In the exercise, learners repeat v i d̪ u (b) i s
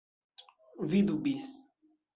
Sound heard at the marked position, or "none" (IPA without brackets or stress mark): b